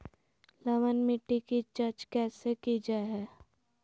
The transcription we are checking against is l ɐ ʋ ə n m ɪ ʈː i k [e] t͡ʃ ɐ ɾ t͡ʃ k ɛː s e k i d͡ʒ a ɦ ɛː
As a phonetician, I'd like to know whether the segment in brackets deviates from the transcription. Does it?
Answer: yes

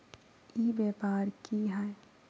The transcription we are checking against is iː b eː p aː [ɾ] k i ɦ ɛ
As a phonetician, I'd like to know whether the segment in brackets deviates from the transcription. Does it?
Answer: no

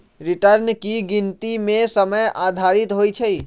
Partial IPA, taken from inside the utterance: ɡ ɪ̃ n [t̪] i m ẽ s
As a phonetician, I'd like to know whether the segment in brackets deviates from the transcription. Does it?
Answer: no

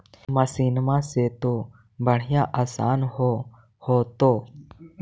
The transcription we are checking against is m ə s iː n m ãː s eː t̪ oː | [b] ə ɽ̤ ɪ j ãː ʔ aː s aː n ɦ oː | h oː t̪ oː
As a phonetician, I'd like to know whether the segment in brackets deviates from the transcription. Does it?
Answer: no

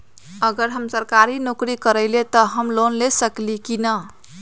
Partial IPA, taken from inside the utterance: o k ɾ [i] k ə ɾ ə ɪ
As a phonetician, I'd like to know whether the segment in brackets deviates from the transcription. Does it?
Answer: no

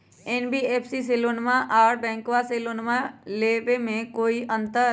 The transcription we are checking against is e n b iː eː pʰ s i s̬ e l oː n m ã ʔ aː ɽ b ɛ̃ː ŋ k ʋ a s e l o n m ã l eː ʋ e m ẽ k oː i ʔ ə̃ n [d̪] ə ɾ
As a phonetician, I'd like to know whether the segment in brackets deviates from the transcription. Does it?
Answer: yes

